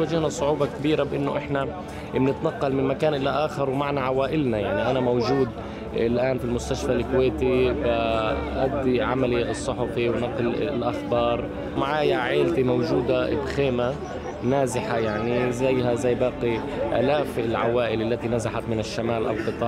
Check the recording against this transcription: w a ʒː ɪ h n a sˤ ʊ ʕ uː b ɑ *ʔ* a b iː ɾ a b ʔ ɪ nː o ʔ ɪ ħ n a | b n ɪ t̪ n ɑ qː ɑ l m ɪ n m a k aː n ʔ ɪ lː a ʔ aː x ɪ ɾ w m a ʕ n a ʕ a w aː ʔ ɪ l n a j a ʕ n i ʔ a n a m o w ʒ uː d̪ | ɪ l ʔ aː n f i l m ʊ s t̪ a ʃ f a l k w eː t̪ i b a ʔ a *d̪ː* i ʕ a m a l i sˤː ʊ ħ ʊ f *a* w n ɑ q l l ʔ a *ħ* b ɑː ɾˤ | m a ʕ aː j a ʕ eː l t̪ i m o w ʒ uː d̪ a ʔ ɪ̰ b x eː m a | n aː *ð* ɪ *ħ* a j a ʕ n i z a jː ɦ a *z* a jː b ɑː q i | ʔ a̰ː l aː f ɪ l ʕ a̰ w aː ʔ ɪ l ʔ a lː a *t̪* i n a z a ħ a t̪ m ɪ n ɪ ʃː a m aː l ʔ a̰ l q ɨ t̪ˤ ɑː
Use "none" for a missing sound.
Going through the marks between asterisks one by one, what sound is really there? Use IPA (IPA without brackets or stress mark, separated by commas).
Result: k, d̪ː, i, x, z, ħ, z, t̪